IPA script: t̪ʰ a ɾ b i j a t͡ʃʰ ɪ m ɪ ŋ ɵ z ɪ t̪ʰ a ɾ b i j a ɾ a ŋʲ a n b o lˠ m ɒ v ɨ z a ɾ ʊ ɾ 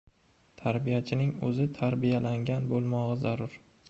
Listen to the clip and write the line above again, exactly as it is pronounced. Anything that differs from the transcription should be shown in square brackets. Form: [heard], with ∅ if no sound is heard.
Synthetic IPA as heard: t̪ʰ a ɾ b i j a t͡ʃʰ ɪ [n] ɪ ŋ ɵ z ɪ t̪ʰ a ɾ b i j a [l] a ŋʲ a n b o lˠ m ɒ [ʁ] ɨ z a ɾ ʊ ɾ